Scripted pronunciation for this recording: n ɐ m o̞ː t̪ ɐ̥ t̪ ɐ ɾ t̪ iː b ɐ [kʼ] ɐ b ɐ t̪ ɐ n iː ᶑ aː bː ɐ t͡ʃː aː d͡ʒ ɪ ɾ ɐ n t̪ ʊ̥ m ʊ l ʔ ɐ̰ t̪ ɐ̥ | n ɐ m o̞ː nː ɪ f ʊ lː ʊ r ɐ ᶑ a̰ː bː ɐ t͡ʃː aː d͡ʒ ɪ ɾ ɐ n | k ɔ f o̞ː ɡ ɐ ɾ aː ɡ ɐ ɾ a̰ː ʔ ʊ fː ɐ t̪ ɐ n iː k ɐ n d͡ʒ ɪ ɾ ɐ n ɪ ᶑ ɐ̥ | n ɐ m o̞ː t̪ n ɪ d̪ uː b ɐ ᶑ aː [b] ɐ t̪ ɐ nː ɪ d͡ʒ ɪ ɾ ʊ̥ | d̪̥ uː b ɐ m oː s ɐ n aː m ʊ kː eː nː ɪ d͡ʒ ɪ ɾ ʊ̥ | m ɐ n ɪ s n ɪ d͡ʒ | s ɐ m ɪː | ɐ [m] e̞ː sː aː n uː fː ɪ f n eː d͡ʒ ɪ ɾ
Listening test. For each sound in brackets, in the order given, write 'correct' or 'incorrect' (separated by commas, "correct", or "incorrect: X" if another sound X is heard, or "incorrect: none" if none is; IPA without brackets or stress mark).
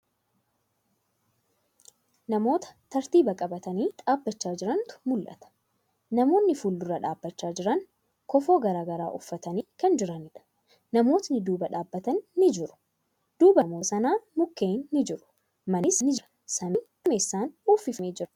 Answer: correct, incorrect: bː, correct